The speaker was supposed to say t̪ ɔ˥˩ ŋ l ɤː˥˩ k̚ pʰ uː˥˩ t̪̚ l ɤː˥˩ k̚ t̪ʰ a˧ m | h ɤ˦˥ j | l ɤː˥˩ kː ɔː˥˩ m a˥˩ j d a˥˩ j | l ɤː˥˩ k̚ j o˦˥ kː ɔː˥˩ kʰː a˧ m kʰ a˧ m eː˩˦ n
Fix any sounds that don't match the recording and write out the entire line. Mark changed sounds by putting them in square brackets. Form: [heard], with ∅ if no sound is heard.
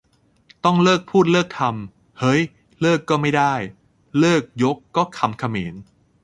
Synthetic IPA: t̪ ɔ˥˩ ŋ l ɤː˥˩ k̚ pʰ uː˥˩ t̪̚ l ɤː˥˩ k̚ t̪ʰ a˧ m | h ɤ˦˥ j | l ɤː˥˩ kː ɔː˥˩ m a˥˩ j d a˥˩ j | l ɤː˥˩ k̚ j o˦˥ kː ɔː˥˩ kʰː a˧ m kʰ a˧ m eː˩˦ n